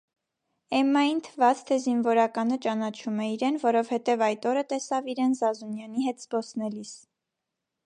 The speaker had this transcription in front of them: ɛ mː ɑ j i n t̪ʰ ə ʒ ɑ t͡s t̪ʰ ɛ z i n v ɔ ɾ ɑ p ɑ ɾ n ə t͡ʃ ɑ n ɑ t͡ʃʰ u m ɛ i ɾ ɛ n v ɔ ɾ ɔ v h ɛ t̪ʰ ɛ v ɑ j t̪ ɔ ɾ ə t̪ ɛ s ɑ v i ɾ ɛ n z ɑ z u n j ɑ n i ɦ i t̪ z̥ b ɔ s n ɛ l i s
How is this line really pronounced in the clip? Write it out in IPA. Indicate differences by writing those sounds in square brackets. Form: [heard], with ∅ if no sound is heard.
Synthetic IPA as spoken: ɛ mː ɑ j i n t̪ʰ ə [v] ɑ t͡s t̪ʰ ɛ z i n v ɔ ɾ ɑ [k] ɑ [∅] n ə t͡ʃ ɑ n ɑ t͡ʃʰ u m ɛ i ɾ ɛ n v ɔ ɾ ɔ v h ɛ [t̪] ɛ v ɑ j t̪ ɔ ɾ ə t̪ ɛ s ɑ v i ɾ ɛ n z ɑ z u n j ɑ n i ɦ [ɛ] t̪ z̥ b ɔ s n ɛ l i s